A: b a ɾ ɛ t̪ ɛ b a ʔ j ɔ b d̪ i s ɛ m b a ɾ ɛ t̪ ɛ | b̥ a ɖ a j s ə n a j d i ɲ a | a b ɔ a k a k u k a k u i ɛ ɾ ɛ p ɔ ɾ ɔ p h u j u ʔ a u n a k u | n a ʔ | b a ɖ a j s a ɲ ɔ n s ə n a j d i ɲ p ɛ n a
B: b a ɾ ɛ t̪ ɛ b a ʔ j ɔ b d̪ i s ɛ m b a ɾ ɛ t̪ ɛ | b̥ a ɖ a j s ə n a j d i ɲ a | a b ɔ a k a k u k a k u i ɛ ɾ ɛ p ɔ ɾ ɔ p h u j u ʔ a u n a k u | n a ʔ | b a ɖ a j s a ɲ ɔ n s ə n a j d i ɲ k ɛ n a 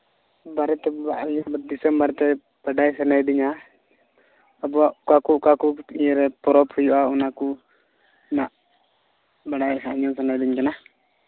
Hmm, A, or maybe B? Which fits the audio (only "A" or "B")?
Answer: B